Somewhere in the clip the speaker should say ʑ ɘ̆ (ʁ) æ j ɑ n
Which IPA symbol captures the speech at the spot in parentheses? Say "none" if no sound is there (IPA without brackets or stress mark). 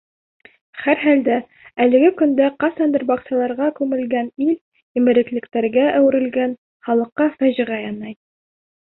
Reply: ʁ